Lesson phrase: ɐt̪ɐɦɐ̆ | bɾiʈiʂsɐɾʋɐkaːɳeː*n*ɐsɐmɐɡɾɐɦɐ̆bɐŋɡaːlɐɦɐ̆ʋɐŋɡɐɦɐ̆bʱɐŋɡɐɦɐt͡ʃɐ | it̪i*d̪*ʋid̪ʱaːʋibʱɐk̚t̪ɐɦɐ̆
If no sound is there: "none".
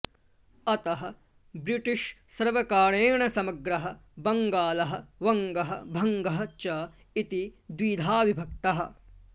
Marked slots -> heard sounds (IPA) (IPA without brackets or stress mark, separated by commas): ɳ, d̪